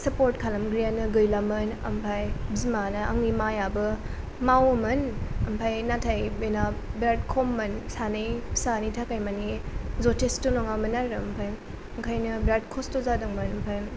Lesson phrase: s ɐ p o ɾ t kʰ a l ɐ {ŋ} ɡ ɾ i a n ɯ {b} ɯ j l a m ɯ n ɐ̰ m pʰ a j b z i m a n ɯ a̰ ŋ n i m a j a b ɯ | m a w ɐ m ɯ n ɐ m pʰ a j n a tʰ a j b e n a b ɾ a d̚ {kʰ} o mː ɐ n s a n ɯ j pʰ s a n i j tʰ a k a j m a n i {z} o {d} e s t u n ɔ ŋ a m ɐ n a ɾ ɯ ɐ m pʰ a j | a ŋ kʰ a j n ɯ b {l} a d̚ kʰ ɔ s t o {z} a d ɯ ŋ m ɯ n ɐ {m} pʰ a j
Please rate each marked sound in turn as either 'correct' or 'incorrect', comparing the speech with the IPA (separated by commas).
incorrect, incorrect, correct, correct, incorrect, incorrect, correct, correct